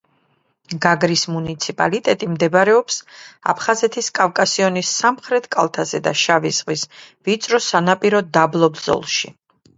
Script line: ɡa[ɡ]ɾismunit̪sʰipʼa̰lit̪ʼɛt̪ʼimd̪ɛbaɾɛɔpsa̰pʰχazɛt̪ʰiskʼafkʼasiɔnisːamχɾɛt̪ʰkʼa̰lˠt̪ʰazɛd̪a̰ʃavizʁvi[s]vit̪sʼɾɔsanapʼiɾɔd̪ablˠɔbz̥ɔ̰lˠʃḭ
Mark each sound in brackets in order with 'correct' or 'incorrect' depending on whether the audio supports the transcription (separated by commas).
correct, correct